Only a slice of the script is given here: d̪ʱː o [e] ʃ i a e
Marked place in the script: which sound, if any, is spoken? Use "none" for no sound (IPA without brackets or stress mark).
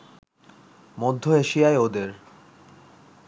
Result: e